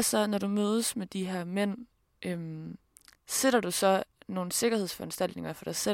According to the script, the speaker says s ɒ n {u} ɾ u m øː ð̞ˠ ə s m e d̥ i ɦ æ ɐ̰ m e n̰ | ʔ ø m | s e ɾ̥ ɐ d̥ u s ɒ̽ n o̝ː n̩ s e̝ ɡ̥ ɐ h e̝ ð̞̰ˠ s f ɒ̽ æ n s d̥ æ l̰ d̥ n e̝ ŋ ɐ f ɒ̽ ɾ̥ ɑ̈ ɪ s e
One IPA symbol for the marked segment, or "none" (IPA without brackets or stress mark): ɒ